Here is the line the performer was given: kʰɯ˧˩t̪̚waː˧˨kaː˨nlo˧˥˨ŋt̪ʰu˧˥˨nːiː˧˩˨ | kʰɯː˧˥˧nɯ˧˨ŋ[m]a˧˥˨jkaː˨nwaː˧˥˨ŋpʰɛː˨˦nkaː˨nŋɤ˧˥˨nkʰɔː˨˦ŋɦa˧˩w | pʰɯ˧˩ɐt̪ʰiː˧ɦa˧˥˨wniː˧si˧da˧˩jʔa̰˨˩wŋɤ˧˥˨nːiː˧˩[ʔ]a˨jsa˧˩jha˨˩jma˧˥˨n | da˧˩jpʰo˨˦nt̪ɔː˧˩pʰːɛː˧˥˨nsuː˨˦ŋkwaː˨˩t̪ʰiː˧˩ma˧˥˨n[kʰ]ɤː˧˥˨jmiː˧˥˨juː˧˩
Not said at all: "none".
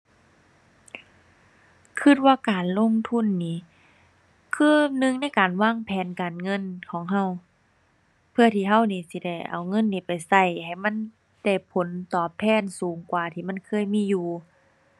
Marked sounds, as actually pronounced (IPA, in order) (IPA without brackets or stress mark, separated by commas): n, p, kʰ